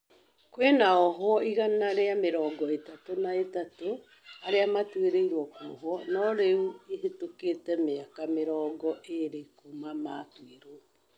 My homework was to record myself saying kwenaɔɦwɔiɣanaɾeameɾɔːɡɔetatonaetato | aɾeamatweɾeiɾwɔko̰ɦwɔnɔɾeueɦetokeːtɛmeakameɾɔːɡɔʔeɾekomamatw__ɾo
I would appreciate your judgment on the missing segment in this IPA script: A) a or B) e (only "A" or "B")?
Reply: B